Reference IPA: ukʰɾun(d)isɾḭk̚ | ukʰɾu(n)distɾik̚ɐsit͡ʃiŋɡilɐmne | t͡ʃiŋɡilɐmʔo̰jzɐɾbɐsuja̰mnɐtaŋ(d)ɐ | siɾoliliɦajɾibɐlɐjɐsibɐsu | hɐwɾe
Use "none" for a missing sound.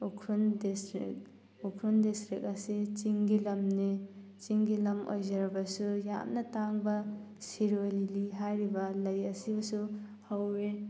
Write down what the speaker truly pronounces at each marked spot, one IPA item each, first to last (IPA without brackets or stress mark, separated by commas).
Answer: d, n, b